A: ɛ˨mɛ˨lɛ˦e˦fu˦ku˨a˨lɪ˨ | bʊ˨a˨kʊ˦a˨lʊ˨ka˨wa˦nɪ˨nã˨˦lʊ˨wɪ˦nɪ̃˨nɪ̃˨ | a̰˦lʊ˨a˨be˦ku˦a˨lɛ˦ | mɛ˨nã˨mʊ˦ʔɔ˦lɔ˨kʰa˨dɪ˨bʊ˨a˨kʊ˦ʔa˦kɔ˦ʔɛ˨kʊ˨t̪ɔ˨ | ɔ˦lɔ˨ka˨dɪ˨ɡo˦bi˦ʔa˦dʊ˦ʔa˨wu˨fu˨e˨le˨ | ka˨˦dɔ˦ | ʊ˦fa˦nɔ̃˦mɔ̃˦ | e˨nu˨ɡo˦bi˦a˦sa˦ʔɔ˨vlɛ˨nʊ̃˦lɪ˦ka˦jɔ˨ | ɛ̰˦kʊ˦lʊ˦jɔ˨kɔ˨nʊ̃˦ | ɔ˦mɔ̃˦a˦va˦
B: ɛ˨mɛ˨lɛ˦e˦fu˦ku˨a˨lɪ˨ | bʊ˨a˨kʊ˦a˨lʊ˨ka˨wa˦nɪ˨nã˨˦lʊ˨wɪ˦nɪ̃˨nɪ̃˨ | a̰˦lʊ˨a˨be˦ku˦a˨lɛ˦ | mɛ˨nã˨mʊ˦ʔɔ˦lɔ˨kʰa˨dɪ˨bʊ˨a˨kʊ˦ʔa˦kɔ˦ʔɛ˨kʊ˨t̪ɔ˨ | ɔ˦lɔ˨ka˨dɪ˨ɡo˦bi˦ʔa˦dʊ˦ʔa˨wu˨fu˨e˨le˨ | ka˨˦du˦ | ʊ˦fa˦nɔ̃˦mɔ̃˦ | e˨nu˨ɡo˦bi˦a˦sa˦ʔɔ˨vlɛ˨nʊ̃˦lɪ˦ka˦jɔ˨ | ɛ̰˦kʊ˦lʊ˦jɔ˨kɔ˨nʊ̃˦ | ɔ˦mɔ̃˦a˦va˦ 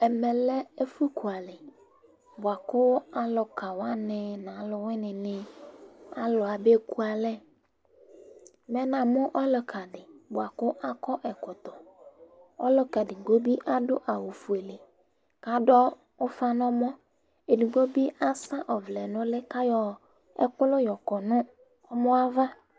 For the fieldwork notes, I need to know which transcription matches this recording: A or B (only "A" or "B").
A